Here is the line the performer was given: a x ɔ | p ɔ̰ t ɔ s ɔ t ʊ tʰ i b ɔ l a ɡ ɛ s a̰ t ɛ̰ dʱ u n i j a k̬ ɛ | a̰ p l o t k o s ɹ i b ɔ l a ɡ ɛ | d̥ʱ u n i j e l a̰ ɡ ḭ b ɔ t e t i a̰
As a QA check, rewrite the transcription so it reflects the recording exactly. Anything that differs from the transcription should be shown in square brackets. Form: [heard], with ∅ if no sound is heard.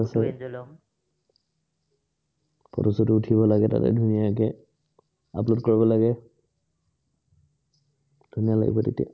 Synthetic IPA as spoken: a [s] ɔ | p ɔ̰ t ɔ s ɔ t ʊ tʰ i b ɔ l a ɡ ɛ [t] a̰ t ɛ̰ dʱ u n i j a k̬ ɛ | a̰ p l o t k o [∅] ɹ i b ɔ l a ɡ ɛ | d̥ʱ u n i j [a] l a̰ ɡ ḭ b ɔ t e t i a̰